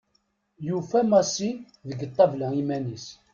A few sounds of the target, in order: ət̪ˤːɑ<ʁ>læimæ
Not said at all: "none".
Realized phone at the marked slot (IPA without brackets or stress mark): v